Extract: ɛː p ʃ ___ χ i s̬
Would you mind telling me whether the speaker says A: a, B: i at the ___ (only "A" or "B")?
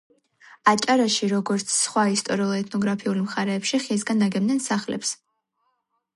B